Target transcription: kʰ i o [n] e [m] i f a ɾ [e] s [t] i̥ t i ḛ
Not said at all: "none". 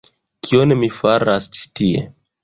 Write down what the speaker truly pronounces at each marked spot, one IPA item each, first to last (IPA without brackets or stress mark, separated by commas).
n, m, a, t͡ʃ